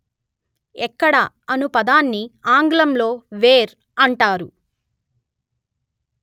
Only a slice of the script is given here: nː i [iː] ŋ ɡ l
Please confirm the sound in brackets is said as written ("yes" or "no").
no